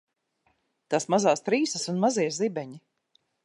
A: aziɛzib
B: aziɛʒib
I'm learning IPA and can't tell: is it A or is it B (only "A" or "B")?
A